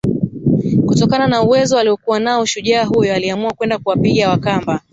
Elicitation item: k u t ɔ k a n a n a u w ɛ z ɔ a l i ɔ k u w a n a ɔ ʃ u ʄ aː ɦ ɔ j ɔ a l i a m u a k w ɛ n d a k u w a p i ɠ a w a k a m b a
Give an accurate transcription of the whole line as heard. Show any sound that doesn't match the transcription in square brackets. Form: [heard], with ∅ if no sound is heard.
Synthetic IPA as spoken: k u t ɔ k a n a n a u w ɛ z ɔ a l i ɔ k u w a n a ɔ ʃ u ʄ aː ɦ [u] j ɔ a l i a m u a k w ɛ n d a k u w a p i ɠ a w a k a m b a